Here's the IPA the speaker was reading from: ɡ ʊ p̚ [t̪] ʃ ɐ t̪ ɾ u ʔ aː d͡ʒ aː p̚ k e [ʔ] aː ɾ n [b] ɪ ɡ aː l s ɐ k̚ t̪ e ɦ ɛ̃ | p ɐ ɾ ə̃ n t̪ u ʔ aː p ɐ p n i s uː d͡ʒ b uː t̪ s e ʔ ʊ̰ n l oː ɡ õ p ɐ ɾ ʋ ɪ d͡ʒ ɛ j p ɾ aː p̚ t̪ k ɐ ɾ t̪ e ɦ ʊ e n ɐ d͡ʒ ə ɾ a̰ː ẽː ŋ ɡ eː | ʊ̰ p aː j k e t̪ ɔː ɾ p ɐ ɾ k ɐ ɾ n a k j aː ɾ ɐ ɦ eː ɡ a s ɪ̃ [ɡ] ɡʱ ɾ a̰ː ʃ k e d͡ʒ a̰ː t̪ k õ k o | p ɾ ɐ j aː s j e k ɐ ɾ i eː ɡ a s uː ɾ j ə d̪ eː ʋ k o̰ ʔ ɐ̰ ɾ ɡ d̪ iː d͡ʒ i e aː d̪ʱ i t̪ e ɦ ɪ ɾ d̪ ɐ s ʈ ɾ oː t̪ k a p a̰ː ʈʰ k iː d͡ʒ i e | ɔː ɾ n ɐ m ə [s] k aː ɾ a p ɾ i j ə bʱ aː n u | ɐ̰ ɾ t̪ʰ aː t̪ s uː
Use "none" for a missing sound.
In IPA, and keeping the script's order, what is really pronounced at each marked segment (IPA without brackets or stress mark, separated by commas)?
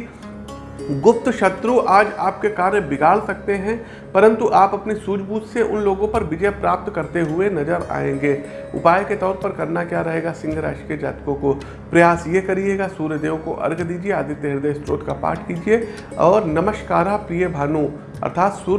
t̪, k, b, ŋ, ʃ